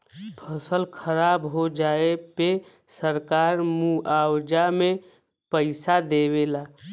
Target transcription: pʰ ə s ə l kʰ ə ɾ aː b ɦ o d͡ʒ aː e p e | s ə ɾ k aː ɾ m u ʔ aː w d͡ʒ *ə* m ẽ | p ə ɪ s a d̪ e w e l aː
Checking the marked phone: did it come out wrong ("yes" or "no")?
yes